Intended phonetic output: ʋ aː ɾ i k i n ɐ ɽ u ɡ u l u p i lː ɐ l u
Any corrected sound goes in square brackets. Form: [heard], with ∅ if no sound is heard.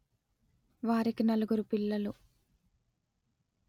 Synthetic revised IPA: ʋ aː ɾ i k i n ɐ [l] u ɡ u [ɾ] u p i lː ɐ l u